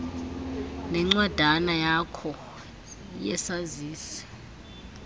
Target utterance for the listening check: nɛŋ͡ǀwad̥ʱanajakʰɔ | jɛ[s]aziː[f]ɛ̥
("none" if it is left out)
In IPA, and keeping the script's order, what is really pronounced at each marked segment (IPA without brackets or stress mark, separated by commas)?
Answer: s, s